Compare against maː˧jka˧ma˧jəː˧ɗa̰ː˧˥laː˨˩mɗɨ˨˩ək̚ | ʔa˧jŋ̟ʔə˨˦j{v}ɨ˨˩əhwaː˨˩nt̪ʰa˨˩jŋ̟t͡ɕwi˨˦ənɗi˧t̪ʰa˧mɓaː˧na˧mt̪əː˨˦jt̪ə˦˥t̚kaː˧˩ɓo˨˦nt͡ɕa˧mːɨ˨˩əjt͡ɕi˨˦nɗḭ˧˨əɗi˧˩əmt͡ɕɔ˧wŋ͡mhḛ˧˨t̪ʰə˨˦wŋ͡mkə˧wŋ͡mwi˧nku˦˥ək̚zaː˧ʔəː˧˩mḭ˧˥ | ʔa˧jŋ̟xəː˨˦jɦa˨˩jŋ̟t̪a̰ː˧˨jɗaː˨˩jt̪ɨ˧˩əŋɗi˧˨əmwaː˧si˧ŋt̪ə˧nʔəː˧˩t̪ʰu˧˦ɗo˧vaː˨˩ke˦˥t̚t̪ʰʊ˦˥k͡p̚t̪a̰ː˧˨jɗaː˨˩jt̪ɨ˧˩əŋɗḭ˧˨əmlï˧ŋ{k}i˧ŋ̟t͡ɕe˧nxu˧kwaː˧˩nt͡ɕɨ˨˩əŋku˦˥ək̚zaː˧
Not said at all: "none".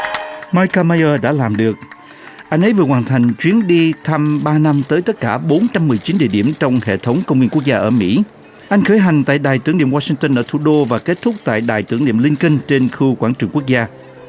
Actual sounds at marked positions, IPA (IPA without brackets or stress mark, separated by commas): v, k